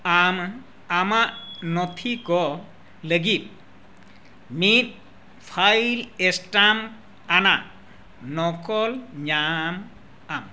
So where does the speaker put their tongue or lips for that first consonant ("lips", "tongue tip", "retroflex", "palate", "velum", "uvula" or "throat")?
lips